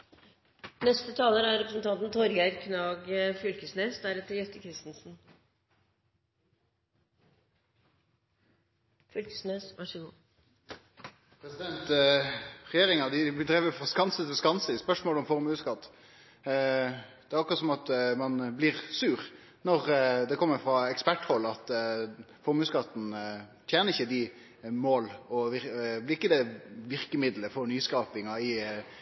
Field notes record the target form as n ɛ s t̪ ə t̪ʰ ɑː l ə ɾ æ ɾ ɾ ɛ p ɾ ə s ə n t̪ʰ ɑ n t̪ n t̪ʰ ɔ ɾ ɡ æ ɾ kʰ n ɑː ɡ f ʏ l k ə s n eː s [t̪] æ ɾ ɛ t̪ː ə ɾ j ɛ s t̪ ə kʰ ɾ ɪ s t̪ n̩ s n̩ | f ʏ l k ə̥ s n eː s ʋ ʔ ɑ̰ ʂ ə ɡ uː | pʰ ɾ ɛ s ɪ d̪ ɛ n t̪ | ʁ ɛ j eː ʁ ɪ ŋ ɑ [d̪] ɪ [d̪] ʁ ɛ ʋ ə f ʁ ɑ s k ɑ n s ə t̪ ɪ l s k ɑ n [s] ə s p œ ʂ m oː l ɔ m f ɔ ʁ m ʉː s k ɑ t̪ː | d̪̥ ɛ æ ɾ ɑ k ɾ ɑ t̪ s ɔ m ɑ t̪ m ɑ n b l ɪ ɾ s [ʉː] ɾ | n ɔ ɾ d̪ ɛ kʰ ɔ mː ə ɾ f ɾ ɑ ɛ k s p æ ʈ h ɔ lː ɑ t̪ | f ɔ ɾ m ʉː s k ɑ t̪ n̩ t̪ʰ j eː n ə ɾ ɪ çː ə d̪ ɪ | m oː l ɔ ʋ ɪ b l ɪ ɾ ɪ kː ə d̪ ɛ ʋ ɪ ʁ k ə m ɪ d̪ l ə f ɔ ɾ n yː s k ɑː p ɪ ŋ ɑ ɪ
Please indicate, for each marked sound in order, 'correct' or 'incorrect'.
incorrect: d̪, correct, correct, correct, correct

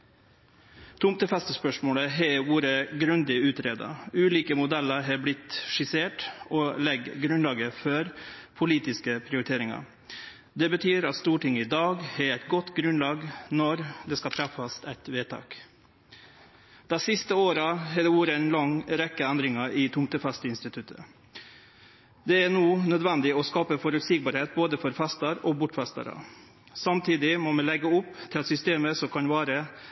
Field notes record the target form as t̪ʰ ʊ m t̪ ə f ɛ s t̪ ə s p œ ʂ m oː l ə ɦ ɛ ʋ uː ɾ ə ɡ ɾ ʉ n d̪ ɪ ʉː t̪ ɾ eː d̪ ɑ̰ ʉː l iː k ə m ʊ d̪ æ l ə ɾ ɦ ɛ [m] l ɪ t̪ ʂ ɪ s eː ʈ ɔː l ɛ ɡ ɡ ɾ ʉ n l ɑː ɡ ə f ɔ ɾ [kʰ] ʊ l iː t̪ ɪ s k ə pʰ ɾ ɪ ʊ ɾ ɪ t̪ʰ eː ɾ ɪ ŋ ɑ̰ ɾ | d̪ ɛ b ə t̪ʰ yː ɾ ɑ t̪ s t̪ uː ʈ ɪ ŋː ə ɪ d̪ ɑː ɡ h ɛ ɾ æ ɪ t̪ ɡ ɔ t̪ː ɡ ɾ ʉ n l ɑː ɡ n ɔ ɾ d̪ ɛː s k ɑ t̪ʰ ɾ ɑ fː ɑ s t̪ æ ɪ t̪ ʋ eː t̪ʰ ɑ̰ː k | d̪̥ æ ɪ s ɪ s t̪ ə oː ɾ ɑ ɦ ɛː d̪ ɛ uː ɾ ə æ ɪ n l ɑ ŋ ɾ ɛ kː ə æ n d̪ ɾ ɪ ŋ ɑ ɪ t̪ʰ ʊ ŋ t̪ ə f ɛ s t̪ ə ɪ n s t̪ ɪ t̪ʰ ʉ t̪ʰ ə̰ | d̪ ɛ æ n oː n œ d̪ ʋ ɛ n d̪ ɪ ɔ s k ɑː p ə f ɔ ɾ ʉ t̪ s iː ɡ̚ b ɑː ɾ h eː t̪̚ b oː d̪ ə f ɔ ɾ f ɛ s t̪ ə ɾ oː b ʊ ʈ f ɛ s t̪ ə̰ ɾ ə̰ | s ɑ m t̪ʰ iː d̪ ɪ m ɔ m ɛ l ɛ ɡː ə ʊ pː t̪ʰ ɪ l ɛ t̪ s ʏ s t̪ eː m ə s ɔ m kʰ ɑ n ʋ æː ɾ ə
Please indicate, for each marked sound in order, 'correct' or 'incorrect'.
incorrect: b, incorrect: pʰ

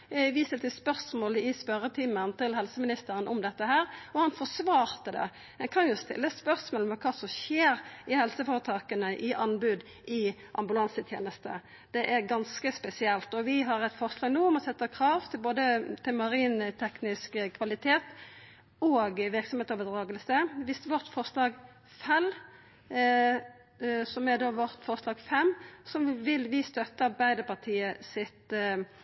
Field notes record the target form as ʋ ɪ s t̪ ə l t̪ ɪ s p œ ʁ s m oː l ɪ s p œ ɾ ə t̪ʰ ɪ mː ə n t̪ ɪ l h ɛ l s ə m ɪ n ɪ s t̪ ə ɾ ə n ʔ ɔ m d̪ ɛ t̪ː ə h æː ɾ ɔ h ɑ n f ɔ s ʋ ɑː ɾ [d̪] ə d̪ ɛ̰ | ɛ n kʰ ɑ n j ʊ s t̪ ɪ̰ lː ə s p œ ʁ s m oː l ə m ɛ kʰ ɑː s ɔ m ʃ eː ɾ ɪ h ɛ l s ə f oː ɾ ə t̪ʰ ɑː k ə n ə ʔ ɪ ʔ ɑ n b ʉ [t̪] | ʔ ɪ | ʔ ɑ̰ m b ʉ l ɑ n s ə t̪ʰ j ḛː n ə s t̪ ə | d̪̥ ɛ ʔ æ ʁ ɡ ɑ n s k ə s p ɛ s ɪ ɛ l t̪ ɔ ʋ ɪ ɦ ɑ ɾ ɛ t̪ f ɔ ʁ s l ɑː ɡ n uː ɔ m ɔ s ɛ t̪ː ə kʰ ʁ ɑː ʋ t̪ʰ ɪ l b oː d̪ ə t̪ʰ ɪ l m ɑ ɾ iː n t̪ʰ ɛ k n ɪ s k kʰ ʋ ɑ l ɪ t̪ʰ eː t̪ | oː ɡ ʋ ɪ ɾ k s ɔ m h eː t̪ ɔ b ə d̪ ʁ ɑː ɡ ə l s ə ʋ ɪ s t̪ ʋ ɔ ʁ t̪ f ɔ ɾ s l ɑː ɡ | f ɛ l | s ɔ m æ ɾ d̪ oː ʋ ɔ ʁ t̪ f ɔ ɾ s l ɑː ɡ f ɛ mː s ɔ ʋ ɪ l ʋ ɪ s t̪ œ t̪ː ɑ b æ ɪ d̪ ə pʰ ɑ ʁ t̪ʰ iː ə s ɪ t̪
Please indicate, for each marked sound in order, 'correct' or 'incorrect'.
incorrect: t̪, incorrect: d̪

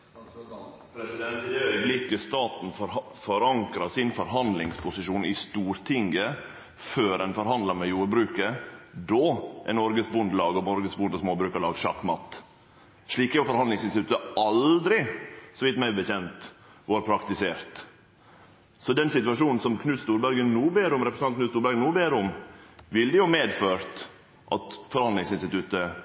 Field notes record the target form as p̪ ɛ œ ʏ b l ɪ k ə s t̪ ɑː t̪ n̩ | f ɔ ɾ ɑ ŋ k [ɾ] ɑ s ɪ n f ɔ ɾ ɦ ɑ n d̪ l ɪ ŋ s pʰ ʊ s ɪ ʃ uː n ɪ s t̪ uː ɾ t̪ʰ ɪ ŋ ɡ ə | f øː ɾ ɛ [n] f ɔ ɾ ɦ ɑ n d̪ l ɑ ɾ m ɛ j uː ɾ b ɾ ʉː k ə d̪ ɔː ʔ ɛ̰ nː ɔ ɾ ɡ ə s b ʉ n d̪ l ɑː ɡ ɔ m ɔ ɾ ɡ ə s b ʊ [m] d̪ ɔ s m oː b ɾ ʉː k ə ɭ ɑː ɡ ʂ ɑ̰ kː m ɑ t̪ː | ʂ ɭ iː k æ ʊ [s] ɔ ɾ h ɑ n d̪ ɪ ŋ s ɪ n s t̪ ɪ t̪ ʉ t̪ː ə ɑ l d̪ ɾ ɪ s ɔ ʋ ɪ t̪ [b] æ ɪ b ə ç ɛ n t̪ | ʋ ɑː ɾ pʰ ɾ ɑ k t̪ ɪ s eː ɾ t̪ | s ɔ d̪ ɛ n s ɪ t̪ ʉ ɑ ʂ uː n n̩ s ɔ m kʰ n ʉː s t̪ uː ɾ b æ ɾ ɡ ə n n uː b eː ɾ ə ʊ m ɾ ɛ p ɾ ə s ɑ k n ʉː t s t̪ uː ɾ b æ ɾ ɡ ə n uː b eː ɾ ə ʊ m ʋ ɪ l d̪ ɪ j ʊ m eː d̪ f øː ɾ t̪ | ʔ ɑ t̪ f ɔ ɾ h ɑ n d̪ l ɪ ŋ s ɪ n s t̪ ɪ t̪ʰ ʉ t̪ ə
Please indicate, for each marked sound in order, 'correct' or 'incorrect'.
correct, correct, incorrect: n, incorrect: f, incorrect: m

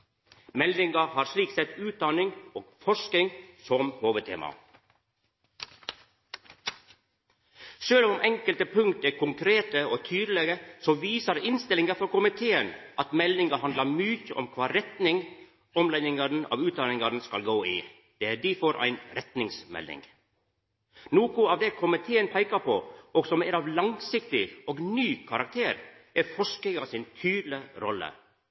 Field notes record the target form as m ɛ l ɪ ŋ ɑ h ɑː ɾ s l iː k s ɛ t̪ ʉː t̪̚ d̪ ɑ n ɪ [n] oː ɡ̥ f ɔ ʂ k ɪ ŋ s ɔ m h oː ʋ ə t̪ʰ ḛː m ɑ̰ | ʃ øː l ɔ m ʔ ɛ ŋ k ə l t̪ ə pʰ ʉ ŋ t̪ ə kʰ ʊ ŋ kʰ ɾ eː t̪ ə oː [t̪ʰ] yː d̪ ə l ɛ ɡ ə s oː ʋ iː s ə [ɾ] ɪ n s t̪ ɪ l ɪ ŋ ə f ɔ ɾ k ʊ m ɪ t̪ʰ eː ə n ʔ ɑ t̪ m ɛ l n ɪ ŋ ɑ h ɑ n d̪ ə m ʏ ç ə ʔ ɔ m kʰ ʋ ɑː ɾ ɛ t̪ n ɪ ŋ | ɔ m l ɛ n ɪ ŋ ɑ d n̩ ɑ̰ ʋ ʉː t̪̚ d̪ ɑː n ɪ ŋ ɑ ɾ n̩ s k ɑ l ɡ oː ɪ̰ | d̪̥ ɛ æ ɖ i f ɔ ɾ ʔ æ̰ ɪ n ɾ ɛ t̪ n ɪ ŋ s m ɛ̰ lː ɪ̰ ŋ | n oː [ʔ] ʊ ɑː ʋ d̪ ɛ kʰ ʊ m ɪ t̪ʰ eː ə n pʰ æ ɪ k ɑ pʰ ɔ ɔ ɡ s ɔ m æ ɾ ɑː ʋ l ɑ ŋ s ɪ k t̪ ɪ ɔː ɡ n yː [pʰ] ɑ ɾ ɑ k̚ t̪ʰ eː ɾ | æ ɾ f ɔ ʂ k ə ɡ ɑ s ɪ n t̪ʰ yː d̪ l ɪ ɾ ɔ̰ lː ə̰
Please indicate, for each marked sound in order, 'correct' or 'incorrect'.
incorrect: ŋ, correct, correct, incorrect: k, incorrect: kʰ

